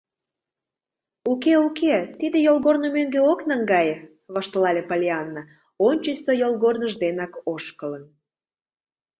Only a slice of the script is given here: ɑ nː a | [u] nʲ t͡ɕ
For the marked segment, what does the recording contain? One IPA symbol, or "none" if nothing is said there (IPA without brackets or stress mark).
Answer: o